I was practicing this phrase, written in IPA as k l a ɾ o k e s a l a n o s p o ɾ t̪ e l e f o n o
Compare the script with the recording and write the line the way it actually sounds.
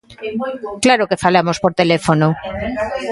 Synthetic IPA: k l a ɾ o k e f a l a m o s p o ɾ t̪ e l e f o n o